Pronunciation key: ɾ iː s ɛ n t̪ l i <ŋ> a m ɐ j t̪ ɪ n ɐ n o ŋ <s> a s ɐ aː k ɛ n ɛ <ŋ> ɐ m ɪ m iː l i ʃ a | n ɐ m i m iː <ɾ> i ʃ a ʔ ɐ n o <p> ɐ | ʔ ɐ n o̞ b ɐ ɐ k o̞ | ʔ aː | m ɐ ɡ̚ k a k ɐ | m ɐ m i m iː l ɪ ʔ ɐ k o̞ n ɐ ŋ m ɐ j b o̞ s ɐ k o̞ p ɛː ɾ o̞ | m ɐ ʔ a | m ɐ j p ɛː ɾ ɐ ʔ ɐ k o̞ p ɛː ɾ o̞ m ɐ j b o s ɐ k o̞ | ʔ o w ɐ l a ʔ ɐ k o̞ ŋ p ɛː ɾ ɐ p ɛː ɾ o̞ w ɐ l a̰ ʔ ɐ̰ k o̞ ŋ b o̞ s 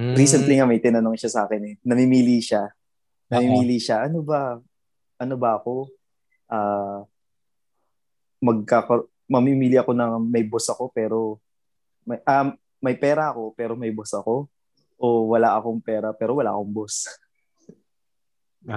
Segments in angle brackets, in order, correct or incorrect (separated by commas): correct, incorrect, incorrect, incorrect, incorrect